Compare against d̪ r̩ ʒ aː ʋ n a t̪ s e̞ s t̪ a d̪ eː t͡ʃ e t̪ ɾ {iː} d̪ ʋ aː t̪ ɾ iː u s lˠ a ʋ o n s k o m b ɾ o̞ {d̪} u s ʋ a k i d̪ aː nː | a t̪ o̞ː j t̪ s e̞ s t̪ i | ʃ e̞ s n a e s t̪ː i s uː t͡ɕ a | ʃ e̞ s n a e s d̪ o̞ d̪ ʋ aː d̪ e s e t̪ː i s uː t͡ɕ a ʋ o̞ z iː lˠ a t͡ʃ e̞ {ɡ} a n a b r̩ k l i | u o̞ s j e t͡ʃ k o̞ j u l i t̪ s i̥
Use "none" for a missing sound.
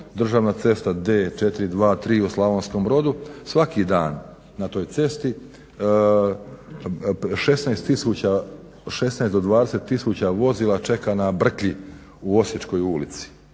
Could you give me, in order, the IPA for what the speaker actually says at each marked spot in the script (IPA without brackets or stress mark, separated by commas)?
i, d̪, k